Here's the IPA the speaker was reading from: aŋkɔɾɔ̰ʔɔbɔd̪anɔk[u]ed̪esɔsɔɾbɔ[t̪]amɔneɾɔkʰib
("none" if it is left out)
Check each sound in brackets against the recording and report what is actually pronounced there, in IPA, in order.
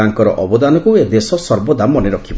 u, d̪

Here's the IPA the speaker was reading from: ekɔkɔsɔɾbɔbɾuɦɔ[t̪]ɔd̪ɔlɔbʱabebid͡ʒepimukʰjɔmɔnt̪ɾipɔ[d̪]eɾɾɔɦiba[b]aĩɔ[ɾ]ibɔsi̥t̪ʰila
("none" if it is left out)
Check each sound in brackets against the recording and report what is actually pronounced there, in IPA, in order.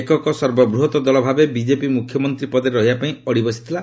t̪, d̪, p, ɽ

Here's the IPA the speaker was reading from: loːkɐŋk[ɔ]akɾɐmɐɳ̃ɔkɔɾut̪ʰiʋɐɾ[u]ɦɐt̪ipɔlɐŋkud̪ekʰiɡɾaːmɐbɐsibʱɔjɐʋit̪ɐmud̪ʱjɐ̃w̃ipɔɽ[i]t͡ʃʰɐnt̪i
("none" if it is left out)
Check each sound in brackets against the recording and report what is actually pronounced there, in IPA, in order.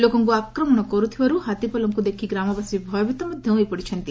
u, u, i

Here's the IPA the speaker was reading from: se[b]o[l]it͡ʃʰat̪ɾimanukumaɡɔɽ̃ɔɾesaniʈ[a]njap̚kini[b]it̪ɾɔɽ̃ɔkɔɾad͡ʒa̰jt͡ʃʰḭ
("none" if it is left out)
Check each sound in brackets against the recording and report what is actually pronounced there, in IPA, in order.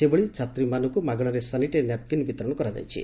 b, ɭ, e, b

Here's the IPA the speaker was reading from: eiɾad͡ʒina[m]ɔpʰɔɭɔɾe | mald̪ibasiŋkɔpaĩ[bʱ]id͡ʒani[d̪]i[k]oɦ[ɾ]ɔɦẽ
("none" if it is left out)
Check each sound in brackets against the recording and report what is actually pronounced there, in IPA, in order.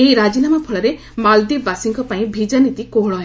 m, bʱ, t̪, k, ɭ

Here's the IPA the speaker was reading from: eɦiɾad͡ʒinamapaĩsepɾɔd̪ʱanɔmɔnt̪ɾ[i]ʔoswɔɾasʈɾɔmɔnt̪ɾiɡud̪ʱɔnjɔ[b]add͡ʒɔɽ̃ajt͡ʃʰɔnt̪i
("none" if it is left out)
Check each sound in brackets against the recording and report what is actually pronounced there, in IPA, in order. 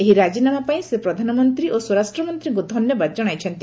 i, b

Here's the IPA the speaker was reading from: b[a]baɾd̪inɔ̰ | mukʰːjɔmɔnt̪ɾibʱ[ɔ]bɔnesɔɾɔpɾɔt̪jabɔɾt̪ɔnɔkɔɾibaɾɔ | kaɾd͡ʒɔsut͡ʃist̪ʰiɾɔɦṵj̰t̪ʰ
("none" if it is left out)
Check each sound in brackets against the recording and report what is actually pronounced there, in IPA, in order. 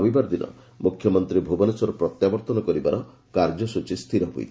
i, u

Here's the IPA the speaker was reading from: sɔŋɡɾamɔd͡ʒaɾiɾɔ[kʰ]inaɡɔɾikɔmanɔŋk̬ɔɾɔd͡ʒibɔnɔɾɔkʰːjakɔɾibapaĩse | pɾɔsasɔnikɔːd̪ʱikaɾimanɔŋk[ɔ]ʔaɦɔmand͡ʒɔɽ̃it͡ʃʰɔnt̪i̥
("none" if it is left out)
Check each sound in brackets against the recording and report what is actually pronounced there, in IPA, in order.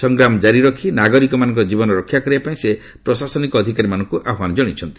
kʰ, u

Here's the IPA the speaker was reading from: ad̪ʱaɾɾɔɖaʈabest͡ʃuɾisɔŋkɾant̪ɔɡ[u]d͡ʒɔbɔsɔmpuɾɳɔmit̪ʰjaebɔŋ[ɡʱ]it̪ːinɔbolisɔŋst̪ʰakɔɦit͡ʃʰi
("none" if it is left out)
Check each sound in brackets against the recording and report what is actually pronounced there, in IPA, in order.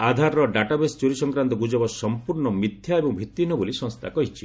u, bʱ

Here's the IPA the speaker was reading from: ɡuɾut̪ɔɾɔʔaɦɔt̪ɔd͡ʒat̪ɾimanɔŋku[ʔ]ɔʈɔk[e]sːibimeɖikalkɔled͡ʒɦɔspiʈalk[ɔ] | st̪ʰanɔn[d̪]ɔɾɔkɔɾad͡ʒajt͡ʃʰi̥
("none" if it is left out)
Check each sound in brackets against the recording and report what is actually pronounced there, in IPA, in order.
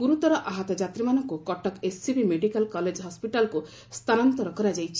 k, e, u, t̪

